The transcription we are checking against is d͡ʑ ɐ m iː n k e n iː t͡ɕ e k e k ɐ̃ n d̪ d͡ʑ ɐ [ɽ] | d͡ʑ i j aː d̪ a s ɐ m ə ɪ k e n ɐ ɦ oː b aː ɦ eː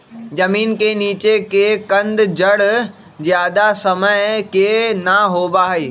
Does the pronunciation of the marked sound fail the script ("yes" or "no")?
no